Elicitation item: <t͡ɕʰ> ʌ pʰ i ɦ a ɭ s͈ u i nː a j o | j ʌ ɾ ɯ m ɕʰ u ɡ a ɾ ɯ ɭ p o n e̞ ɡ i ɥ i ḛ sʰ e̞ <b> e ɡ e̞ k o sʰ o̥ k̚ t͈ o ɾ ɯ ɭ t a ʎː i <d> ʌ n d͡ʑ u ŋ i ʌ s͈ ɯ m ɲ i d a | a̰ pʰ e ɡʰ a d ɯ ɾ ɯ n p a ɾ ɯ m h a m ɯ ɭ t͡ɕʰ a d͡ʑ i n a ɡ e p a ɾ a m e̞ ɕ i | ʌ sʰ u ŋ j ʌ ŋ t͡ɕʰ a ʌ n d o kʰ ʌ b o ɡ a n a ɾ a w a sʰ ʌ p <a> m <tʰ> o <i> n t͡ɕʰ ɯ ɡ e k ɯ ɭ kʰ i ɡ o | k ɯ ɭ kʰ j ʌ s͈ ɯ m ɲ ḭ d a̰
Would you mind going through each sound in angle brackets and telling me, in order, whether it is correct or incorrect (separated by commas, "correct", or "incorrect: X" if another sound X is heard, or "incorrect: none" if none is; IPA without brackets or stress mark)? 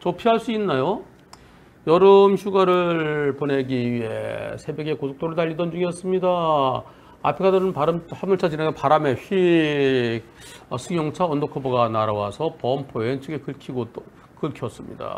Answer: incorrect: t͡ɕ, correct, correct, incorrect: ʌ, incorrect: pʰ, incorrect: e